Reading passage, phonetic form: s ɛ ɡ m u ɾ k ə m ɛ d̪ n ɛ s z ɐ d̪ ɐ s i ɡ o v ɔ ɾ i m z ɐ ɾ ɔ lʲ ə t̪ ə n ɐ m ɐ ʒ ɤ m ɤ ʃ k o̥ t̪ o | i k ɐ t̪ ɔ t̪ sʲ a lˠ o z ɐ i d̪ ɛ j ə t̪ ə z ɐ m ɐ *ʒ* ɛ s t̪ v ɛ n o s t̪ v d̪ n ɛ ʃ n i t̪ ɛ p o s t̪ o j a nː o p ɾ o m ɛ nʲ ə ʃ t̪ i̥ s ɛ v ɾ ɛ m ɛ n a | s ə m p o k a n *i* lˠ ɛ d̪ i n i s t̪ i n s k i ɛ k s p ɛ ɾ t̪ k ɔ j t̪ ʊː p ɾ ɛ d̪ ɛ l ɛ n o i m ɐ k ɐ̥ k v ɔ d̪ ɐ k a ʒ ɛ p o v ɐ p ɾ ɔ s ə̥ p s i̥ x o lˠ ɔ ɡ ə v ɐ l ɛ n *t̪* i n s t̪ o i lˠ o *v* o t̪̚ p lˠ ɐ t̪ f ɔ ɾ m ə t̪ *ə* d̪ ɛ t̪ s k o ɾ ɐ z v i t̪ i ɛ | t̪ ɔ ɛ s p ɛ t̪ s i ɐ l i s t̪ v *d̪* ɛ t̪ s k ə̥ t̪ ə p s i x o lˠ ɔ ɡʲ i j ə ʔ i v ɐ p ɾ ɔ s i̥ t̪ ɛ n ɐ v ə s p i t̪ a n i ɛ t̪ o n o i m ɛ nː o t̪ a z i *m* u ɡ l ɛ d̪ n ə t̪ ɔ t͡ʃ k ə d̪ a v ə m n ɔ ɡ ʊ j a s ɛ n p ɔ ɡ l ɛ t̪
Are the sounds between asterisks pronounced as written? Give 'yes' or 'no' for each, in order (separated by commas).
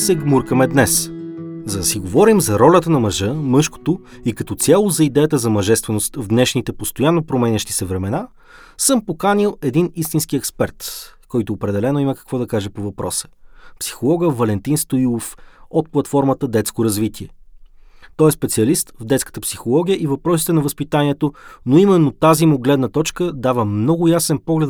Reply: yes, yes, yes, no, yes, yes, yes